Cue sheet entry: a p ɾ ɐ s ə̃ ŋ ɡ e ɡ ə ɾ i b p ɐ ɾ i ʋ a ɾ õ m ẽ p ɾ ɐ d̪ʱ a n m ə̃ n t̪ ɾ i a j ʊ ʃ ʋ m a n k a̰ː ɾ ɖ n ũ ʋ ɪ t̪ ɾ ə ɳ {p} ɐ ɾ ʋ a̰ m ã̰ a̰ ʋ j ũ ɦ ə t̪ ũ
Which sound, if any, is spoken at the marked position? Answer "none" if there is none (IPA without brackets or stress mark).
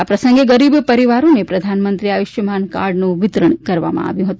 k